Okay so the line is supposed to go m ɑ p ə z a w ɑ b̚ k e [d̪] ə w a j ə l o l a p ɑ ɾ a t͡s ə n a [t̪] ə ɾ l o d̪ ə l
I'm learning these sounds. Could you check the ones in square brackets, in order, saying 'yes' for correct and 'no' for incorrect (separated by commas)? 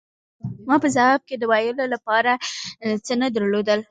yes, no